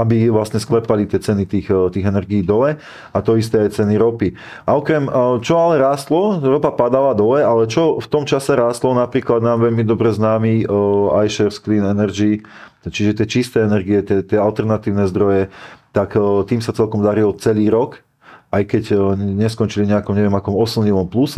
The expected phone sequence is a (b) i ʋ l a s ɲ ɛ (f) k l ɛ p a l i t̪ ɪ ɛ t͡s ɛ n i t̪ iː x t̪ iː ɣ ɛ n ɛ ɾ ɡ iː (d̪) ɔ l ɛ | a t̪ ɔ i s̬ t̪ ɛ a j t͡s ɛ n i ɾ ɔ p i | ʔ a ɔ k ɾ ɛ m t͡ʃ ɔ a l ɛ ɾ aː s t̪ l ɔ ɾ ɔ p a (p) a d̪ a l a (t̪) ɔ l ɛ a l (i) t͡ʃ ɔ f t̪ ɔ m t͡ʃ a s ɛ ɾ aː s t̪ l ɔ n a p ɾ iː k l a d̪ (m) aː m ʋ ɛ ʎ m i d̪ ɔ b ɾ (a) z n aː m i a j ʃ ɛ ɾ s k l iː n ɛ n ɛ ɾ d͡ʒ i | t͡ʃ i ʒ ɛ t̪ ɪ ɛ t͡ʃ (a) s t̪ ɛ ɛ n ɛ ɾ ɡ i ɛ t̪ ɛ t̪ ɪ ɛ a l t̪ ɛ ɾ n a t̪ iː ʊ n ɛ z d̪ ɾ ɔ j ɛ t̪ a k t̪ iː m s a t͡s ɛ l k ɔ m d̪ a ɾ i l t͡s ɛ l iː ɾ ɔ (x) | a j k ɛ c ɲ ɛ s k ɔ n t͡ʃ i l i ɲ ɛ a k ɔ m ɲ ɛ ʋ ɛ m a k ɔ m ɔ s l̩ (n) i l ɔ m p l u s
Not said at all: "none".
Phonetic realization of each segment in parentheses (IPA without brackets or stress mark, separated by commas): b, s, d̪, p, d̪, ɛ, n, ɛ, i, k, ɲ